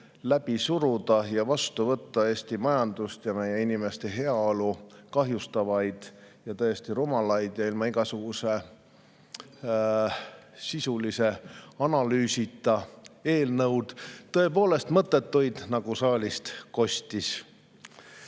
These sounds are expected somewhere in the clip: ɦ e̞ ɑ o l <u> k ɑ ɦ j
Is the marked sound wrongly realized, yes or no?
no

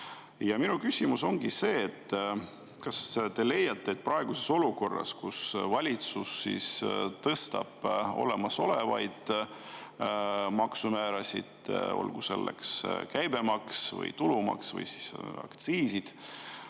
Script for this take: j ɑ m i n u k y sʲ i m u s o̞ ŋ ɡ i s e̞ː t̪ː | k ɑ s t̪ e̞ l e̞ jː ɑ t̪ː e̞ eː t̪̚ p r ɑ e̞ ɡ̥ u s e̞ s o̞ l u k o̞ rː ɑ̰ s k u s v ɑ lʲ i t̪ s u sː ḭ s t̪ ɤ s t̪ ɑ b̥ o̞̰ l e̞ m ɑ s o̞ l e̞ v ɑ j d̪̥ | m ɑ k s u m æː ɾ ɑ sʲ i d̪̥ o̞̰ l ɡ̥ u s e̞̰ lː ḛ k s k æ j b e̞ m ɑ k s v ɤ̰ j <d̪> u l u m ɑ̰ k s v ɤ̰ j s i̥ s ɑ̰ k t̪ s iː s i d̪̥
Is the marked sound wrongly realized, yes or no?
yes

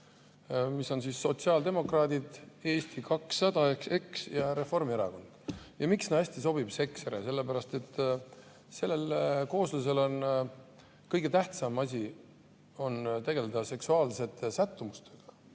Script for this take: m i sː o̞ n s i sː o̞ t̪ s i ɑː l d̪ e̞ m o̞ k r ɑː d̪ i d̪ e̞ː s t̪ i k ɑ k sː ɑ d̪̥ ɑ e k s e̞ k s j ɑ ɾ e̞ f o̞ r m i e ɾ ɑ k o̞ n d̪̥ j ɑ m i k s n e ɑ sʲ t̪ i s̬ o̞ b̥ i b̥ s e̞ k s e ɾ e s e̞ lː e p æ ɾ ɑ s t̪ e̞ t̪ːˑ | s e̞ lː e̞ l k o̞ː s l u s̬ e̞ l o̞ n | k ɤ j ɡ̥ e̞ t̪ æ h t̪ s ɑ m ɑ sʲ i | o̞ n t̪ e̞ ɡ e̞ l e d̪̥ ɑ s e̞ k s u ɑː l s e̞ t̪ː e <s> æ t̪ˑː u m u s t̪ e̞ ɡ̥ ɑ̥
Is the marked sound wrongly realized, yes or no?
no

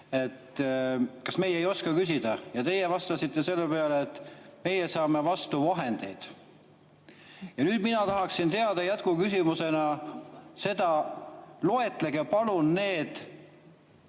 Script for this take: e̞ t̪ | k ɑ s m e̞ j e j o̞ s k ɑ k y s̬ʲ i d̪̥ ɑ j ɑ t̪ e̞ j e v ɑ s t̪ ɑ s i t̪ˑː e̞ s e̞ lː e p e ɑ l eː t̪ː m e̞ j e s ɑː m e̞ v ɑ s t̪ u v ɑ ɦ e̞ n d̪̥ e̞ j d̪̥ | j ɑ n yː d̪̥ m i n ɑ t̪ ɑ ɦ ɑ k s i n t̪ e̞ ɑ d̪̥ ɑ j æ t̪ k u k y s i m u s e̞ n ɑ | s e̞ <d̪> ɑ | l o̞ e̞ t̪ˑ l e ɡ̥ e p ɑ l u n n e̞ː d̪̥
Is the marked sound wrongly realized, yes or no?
no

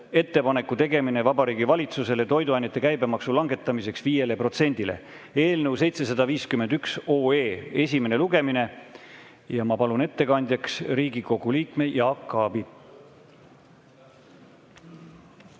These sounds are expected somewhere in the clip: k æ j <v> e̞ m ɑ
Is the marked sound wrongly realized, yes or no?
yes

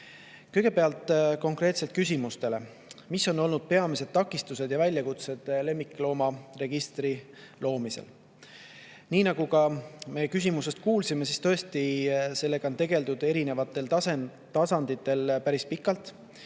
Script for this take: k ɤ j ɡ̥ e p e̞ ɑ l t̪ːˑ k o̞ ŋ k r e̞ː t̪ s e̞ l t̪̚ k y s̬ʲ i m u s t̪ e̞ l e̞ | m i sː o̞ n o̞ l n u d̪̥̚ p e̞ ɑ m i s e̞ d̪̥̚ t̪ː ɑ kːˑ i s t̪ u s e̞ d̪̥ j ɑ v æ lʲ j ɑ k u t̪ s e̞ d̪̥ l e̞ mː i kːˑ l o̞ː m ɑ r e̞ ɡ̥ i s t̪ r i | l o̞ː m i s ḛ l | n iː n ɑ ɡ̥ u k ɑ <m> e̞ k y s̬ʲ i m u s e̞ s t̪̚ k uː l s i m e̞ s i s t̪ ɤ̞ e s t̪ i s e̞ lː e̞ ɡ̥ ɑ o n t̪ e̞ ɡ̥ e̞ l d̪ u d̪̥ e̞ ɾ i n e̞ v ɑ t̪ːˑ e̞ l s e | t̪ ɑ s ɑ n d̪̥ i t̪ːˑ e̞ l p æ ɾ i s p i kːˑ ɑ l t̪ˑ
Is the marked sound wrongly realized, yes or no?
no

